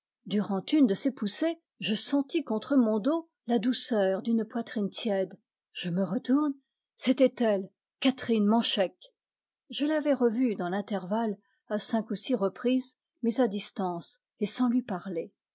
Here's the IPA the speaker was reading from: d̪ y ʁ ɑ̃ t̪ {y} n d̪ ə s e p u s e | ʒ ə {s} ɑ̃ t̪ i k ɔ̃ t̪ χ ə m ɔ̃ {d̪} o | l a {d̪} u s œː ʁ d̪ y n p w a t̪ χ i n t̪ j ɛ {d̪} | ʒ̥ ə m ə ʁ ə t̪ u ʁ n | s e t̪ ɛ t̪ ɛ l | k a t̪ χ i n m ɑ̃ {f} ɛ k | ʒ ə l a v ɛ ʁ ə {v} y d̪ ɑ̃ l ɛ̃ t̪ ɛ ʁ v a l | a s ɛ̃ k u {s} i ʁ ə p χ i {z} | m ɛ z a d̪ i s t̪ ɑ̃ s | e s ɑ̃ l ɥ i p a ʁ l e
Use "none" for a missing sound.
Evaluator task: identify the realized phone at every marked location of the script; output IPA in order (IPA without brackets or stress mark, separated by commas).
y, s, d̪, d̪, d̪, ʃ, v, s, z